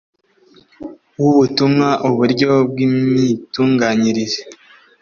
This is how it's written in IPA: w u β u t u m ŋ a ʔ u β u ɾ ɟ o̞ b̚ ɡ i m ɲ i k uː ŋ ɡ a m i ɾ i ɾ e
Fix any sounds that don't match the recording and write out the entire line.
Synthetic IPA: w u β u t u m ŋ a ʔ u β u ɾ ɟ o̞ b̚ ɡ i m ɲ i t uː ŋ ɡ a ɲ i ɾ i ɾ e